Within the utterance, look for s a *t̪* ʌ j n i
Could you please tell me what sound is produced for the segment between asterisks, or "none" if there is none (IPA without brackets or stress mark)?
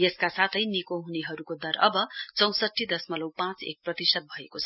t̪ʰ